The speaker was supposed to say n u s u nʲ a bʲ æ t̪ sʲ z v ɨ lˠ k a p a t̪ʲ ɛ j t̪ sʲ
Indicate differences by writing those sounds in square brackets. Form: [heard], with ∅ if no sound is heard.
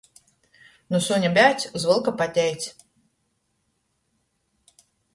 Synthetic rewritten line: n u s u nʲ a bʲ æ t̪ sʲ z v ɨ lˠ k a p a t̪ʲ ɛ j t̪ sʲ